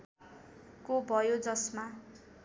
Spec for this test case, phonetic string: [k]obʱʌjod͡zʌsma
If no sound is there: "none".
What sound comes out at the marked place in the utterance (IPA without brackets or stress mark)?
k